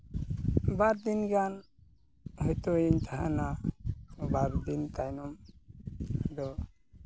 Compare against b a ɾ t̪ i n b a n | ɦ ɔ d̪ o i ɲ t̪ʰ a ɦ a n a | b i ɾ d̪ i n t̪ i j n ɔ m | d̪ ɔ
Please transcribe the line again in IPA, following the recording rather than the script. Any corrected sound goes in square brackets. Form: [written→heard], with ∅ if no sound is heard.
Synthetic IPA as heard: b a ɾ [t̪→d̪] i n [b→ɡ] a n | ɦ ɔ [d̪→t̪] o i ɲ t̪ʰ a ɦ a n a | b [i→a] ɾ d̪ i n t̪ [i→a] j n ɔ m | d̪ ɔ